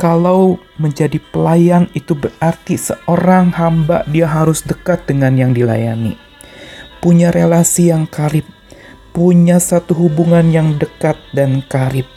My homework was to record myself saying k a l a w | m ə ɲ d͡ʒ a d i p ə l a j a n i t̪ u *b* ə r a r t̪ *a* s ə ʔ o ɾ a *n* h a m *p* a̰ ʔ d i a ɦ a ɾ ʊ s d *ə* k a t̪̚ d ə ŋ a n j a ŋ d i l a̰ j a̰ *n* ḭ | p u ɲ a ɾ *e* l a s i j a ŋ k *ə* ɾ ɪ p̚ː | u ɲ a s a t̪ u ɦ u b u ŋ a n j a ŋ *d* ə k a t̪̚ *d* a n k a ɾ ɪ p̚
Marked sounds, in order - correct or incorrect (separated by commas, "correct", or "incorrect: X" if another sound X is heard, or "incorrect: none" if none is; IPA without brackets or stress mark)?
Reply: correct, incorrect: i, incorrect: ŋ, incorrect: b, correct, correct, correct, incorrect: a, correct, correct